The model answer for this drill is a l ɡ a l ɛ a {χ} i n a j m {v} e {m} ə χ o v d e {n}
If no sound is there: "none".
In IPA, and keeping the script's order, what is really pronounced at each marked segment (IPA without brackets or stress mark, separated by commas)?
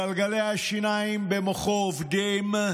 ʃ, b, m, m